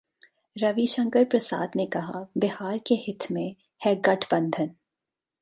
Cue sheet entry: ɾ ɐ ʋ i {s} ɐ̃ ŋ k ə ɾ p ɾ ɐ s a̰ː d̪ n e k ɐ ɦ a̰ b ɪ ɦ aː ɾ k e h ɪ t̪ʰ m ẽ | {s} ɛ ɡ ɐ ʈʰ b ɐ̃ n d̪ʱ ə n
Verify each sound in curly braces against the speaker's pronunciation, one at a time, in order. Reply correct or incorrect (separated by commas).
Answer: incorrect, incorrect